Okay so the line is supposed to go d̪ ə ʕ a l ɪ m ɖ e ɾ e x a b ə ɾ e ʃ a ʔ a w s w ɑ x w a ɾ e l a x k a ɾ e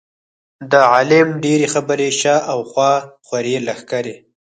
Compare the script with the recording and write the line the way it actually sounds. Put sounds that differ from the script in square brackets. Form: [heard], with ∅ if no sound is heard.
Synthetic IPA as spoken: d̪ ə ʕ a l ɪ m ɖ e ɾ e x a b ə ɾ e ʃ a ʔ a w [x] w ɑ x w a ɾ e l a x k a ɾ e

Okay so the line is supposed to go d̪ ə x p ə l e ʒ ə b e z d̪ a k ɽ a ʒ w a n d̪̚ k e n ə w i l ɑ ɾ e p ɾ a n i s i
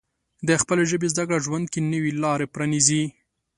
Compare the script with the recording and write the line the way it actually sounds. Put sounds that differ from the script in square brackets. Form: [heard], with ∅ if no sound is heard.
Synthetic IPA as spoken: d̪ ə x p ə l e ʒ ə b e z d̪ a k ɽ a ʒ w a n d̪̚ k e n ə w i l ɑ ɾ e p ɾ a n i [z] i

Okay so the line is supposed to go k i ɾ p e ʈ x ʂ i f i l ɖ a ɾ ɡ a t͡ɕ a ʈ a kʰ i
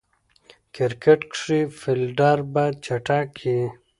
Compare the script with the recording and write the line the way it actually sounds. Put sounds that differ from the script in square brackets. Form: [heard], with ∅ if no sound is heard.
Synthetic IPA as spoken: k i ɾ [k] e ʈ [k] ʂ i f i l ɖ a ɾ [b] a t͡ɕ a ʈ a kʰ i

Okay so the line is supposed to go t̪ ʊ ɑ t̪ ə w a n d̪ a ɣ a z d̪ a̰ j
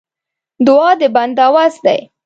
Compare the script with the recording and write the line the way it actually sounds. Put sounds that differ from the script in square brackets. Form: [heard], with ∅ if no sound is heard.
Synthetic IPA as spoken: [d̪] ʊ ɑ [d̪] ə [b] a n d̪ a [w] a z d̪ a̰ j

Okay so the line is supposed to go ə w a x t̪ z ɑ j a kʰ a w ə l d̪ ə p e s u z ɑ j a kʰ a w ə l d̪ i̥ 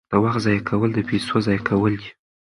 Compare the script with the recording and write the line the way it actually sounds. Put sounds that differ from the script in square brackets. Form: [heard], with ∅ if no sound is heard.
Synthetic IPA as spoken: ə w a x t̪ z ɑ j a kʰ a w ə l d̪ ə p e s [o] z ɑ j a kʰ a w ə l d̪ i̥

